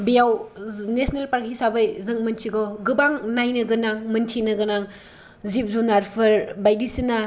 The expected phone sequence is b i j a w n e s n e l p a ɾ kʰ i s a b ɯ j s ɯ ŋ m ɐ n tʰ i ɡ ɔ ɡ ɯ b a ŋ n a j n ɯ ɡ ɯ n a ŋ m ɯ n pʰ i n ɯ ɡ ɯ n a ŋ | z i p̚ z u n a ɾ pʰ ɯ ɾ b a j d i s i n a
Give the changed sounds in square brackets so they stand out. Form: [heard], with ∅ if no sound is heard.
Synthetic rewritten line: b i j a w n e s n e l p a ɾ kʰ i s a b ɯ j [z] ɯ ŋ m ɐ n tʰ i ɡ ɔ ɡ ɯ b a ŋ n a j n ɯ ɡ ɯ n a ŋ m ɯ n [tʰ] i n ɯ ɡ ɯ n a ŋ | z i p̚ z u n a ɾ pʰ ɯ ɾ b a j d i s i n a